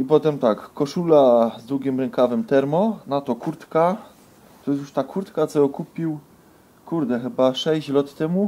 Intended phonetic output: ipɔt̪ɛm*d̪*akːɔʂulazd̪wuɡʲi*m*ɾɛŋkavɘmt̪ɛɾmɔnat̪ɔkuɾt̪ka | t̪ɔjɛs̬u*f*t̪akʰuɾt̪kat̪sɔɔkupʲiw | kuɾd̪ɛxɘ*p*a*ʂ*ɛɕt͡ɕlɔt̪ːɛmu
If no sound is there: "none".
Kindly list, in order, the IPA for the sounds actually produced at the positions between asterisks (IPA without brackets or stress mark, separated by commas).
t̪, m, ʂ, b, ʂ